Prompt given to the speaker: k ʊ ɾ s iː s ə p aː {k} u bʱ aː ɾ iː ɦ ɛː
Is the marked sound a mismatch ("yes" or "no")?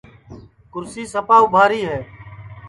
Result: yes